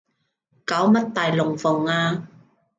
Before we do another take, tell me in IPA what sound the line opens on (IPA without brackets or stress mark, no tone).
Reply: k